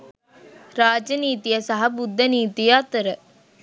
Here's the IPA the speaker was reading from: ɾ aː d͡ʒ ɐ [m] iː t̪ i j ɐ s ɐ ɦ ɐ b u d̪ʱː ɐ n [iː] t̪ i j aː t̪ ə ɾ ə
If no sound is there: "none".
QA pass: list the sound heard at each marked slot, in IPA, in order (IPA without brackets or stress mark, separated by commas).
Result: n, iː